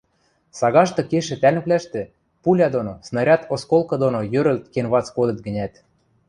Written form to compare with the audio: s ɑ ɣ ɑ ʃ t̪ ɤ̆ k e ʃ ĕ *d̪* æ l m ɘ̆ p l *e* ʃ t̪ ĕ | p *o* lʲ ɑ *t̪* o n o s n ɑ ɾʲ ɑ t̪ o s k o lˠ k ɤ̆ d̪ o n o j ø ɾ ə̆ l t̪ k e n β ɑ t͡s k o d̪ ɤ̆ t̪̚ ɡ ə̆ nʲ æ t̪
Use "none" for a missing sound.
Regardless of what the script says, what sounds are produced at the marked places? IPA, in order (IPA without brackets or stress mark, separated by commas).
t̪, æ, u, d̪